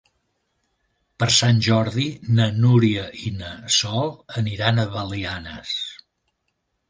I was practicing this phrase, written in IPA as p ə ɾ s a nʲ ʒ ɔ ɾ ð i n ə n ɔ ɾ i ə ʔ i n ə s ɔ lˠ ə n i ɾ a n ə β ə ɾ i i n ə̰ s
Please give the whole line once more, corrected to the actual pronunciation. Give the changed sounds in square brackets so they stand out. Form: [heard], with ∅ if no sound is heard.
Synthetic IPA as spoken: p ə ɾ s a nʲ ʒ ɔ ɾ ð i n ə n [u] ɾ i ə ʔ i n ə s ɔ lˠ ə n i ɾ a n ə β ə [l] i [a] n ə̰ s